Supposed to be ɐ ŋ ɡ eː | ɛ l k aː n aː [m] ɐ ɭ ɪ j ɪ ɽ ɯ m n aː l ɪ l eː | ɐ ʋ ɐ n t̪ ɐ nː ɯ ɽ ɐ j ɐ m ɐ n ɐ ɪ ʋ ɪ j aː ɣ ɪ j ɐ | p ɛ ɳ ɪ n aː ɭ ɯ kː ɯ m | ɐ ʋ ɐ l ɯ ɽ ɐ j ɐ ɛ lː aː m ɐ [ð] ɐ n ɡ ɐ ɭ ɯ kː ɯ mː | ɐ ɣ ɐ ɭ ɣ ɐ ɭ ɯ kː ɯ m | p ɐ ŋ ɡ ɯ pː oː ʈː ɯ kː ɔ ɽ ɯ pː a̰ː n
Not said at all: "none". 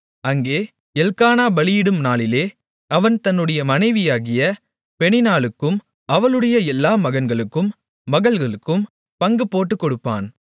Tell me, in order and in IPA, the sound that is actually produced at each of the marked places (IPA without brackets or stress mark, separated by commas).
b, ɣ